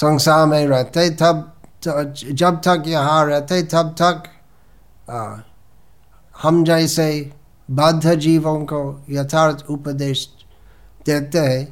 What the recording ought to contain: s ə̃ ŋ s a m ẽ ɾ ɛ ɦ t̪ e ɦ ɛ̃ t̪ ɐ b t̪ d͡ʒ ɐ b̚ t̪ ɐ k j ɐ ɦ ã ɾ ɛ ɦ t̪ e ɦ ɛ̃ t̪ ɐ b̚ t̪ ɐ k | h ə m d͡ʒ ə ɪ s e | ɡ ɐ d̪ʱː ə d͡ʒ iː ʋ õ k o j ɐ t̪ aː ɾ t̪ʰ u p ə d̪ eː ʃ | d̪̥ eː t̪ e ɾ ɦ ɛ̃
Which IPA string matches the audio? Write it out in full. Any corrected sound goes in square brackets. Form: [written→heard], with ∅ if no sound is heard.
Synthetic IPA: s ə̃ ŋ s a m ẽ ɾ ɛ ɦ t̪ e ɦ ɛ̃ t̪ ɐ b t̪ d͡ʒ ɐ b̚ t̪ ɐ k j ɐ ɦ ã ɾ ɛ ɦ t̪ e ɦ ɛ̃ t̪ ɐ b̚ t̪ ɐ k | h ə m d͡ʒ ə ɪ s e | [ɡ→b] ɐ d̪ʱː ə d͡ʒ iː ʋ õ k o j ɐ [t̪→t̪ʰ] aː ɾ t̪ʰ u p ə d̪ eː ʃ | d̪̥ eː t̪ e [ɾ→∅] ɦ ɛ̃